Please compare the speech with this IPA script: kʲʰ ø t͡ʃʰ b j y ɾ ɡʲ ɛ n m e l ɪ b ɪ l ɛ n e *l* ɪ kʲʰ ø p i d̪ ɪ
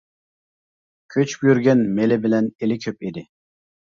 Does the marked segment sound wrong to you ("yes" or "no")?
no